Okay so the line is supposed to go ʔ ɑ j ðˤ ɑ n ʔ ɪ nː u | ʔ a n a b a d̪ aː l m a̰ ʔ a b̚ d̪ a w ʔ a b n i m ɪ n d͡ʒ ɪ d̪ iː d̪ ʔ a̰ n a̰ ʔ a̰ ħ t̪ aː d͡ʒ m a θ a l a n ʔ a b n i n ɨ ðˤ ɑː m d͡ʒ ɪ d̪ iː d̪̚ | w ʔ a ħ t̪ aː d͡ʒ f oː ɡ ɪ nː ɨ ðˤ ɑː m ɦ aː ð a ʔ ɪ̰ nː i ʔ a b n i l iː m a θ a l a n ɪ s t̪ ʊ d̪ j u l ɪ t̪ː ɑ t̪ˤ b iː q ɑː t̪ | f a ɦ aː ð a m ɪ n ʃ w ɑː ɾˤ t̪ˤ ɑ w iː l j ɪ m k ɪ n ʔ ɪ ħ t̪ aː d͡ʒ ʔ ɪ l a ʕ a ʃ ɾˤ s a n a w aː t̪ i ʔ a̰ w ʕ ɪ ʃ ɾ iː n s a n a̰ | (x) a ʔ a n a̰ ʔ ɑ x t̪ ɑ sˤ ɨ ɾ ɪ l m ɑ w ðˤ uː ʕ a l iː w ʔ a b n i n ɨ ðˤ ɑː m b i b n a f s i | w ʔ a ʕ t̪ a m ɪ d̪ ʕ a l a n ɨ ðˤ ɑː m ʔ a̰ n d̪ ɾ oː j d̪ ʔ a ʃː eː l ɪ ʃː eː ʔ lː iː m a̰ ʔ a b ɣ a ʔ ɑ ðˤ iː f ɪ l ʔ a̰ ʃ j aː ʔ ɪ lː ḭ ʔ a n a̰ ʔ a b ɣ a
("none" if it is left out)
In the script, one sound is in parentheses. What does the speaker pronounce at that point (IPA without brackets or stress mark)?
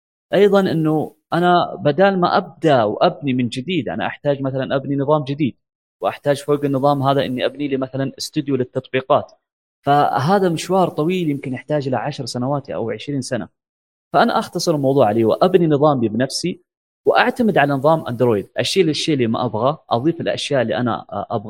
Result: f